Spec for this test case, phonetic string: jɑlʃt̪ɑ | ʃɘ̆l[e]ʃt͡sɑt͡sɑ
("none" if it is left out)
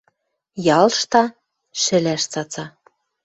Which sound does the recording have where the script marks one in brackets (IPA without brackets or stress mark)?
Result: æ